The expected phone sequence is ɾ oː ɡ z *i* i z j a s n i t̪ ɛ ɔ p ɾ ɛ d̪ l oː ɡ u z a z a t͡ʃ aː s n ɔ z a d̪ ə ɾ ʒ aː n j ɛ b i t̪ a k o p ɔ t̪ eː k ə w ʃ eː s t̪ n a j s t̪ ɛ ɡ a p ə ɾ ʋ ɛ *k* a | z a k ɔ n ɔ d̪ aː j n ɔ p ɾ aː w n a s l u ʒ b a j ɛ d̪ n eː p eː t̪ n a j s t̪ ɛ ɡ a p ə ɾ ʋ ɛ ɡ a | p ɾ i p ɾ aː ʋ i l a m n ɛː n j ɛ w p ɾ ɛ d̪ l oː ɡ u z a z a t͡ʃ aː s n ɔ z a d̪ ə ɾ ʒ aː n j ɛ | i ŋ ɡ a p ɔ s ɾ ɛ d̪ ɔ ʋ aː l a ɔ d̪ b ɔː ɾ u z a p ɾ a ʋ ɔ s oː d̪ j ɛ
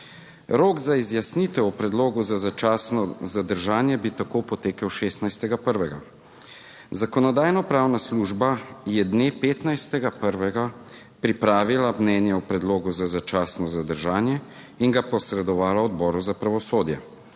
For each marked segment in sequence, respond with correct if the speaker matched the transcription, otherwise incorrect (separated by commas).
incorrect, incorrect